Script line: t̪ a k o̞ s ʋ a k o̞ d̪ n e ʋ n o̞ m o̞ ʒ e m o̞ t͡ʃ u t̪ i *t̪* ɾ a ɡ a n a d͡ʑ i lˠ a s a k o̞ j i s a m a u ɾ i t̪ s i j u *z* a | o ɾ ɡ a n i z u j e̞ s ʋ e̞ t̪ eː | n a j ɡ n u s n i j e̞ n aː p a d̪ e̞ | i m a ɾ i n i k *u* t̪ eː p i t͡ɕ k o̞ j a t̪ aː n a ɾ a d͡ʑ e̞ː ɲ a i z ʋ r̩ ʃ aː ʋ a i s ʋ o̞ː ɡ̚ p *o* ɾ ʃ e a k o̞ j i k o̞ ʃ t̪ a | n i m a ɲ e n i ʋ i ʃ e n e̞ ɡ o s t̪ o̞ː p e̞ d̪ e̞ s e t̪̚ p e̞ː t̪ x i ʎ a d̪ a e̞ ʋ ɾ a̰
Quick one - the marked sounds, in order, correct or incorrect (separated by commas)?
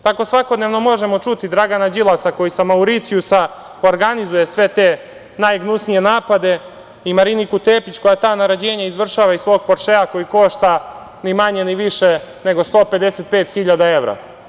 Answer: incorrect, incorrect, correct, correct